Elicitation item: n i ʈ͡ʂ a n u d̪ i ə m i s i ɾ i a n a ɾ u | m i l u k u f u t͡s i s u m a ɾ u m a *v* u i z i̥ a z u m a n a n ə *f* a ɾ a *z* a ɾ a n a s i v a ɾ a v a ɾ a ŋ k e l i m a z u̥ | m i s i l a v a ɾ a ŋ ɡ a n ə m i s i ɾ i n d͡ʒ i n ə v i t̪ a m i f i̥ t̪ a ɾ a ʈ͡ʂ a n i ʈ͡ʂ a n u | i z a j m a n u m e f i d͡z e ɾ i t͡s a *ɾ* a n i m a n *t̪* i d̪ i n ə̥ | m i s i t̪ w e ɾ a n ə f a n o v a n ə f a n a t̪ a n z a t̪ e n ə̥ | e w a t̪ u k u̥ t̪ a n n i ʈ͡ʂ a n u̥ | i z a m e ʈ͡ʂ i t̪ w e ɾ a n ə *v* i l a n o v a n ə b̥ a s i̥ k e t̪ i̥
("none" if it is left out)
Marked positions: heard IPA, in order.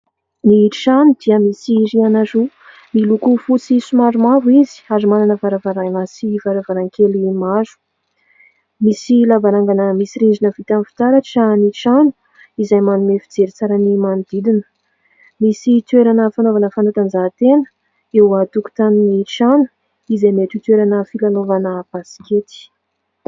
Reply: v, v, v, ɾ, d̪, f

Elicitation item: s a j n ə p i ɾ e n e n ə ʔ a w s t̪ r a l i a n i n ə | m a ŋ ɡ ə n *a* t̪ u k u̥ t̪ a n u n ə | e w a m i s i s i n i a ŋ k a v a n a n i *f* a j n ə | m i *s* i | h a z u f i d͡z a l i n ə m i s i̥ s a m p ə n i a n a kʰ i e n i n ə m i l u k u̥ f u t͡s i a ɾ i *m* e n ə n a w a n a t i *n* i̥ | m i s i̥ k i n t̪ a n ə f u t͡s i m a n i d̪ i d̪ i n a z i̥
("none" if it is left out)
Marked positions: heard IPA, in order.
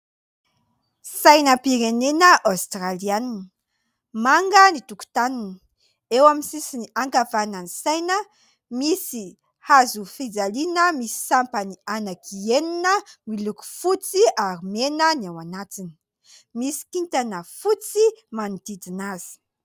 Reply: i, s, s, m, n

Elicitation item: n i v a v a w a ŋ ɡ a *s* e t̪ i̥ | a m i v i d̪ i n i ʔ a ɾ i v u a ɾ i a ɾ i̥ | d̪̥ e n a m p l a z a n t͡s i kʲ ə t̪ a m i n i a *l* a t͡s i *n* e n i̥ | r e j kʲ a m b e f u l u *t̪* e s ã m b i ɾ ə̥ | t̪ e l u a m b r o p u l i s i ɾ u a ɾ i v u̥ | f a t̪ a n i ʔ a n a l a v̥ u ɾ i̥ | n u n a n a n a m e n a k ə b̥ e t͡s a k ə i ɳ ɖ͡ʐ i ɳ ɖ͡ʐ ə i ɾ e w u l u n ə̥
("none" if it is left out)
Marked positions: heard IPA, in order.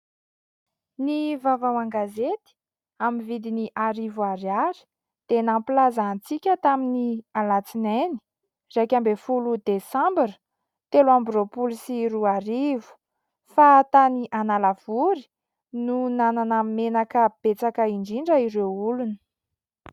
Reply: z, l, n, d̪

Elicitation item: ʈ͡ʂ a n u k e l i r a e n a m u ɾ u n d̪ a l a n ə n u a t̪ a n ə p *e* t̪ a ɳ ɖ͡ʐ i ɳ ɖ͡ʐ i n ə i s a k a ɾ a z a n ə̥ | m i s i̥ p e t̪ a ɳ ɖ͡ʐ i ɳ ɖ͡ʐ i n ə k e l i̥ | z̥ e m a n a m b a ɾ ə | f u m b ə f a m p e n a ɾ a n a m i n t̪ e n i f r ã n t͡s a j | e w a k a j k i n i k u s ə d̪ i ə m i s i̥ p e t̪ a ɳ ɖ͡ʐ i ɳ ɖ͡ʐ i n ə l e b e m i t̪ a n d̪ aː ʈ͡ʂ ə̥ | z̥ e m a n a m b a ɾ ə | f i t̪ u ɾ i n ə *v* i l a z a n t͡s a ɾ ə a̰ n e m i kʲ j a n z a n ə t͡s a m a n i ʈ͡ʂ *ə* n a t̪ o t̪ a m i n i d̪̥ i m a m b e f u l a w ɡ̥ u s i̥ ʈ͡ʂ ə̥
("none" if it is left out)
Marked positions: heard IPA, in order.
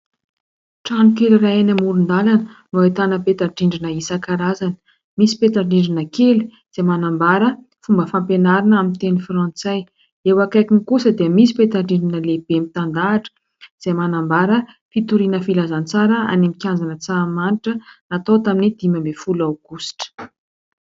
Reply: e, f, ə

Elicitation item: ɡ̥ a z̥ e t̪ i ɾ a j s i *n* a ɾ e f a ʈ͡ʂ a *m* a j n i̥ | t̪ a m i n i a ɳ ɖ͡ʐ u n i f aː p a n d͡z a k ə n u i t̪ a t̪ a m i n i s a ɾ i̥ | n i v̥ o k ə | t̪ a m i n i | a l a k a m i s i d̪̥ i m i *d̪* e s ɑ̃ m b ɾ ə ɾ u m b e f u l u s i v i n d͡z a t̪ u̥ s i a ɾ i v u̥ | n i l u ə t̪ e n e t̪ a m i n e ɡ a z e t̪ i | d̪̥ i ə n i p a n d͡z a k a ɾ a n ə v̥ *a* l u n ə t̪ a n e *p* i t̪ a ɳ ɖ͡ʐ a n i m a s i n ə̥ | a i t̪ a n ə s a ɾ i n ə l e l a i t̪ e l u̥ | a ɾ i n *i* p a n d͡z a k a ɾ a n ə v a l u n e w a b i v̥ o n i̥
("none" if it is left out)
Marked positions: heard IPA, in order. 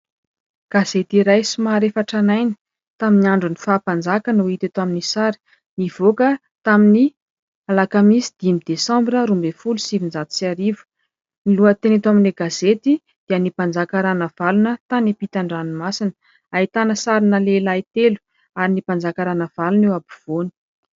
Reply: m, n, d̪, a, p, i

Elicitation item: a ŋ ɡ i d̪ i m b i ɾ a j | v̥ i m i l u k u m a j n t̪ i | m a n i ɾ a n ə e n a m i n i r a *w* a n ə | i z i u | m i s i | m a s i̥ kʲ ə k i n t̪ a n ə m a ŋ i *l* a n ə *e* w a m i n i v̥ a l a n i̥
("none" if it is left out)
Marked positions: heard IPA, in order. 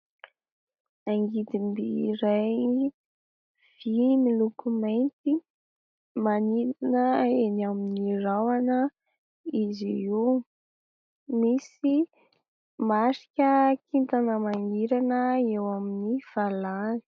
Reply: w, ɾ, e

